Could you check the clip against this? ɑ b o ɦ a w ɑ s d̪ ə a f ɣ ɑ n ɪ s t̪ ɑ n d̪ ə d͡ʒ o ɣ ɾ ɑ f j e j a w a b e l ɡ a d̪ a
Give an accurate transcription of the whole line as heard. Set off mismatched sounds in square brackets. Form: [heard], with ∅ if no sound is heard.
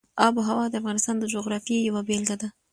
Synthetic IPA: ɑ b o ɦ a w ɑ [∅] d̪ ə a f ɣ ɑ n ɪ s t̪ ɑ n d̪ ə d͡ʒ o ɣ ɾ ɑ f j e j a w a b e l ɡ a d̪ a